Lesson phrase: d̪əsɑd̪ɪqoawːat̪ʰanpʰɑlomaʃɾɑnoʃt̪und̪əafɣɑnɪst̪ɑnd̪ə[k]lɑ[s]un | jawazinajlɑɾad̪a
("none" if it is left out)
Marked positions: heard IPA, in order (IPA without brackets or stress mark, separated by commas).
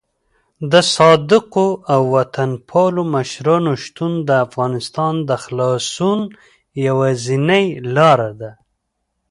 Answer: x, s